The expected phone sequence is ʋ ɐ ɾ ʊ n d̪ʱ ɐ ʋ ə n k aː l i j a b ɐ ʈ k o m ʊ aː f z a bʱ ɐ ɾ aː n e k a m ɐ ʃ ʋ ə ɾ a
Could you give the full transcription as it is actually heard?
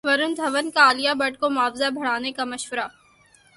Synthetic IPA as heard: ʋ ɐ ɾ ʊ n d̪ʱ ɐ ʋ ə n k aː l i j a b ɐ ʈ k o m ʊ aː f z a bʱ ɐ ɽ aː n e k a m ɐ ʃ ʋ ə ɾ a